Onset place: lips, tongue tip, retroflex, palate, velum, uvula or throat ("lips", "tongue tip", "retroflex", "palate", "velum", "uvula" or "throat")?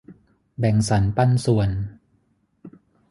lips